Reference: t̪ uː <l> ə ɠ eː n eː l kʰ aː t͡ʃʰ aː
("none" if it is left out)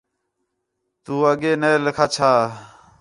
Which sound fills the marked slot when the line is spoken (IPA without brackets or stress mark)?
none